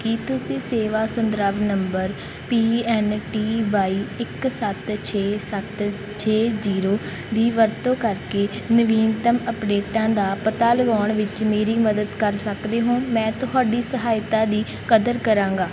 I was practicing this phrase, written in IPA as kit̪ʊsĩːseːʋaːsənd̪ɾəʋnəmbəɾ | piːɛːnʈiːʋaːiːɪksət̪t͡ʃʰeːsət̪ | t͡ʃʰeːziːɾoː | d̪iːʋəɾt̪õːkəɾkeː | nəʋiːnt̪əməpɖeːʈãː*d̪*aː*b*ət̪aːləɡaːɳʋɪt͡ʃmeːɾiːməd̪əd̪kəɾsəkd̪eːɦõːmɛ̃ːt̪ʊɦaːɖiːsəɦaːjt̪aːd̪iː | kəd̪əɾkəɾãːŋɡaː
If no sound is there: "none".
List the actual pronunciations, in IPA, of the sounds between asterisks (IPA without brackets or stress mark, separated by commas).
d̪, p